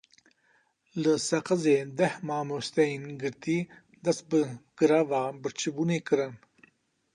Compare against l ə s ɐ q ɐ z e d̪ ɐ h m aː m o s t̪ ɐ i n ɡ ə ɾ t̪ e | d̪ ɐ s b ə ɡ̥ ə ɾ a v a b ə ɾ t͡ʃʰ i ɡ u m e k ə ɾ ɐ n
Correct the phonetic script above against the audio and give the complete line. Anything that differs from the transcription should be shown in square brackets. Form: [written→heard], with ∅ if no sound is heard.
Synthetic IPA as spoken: l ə s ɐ q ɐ z e d̪ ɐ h m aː m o s t̪ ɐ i n ɡ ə ɾ t̪ [e→i] | d̪ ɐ s b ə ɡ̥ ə ɾ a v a b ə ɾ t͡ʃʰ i [ɡ→b] u [m→n] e k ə ɾ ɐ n